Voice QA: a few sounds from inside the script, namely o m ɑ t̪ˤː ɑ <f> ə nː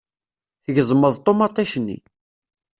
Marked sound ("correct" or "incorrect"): incorrect